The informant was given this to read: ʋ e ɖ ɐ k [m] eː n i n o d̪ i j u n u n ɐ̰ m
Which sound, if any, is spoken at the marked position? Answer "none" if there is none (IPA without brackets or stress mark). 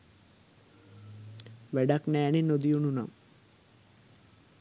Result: n